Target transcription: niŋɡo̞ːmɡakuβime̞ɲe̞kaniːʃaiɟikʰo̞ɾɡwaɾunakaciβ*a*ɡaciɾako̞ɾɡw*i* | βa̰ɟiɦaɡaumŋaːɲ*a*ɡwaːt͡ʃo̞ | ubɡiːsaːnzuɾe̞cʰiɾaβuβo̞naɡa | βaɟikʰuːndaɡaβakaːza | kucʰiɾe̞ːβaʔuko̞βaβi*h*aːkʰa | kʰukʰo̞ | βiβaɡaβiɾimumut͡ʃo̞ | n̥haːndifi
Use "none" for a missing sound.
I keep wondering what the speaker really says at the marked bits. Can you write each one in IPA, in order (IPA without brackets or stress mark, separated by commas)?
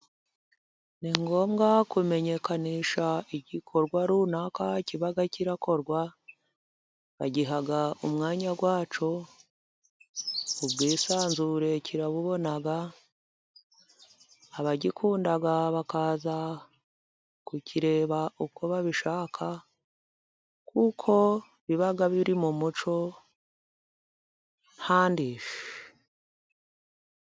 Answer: a, a, a, ʃ